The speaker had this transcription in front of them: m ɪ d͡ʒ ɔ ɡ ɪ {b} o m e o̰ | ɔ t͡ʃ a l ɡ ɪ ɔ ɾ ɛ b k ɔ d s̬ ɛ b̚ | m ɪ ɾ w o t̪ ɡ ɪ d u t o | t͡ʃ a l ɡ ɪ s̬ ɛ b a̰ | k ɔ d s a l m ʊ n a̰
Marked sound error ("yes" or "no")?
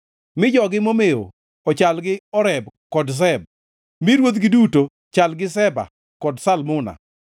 yes